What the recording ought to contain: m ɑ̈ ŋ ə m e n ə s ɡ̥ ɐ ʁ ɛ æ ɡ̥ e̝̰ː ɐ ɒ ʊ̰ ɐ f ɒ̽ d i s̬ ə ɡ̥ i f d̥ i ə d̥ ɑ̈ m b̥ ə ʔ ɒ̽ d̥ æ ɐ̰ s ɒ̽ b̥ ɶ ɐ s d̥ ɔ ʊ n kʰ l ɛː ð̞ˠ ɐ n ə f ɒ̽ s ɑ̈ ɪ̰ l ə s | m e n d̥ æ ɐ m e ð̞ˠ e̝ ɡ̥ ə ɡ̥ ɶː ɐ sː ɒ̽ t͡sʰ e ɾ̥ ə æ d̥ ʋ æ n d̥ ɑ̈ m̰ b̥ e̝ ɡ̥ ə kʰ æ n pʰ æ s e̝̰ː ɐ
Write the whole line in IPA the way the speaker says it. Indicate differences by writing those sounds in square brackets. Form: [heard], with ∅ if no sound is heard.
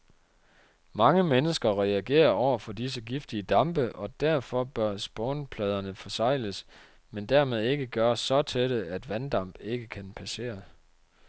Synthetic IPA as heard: m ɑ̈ ŋ ə m e n ə s ɡ̥ ɐ ʁ ɛ æ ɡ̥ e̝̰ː ɐ ɒ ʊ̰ ɐ f ɒ̽ d i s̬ ə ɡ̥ i f d̥ i ə d̥ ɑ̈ m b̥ ə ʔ ɒ̽ d̥ æ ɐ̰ [f] ɒ̽ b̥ ɶ ɐ s [b̥] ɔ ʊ n [pʰ] l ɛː ð̞ˠ ɐ n ə f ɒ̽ s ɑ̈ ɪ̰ l ə s | m e n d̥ æ ɐ m e ð̞ˠ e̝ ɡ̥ ə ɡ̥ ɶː ɐ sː ɒ̽ t͡sʰ e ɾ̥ ə æ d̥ ʋ æ n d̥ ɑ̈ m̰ b̥ e̝ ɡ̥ ə kʰ æ n pʰ æ s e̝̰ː ɐ